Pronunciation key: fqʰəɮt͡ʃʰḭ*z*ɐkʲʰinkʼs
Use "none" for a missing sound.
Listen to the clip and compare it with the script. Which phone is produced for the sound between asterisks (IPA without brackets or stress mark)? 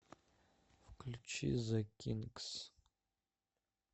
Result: z